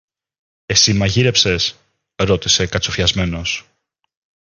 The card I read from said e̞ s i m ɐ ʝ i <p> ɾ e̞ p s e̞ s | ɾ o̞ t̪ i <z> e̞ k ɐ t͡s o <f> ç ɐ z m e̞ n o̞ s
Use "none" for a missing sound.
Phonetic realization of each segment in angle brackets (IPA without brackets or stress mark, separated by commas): none, s, f